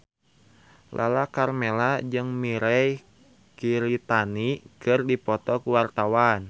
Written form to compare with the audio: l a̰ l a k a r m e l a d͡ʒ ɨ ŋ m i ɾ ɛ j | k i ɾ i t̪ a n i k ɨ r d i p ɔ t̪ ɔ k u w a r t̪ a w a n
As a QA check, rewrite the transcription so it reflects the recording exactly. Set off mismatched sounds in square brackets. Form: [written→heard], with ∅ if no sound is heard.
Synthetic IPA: l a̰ l a k a r m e l a d͡ʒ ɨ ŋ m i ɾ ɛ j | k i ɾ i t̪ a n i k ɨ r d i p ɔ t̪ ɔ k u w a r t̪ a w a n